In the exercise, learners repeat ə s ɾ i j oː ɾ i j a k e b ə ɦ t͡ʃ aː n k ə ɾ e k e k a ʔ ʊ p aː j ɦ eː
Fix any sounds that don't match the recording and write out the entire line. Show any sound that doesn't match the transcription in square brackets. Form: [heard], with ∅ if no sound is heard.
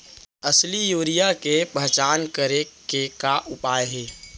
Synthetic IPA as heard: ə s [l] i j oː ɾ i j a k e [p] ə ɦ t͡ʃ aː n k ə ɾ e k e k a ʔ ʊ p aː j ɦ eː